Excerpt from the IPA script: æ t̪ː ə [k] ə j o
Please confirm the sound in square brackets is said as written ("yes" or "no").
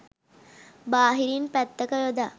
yes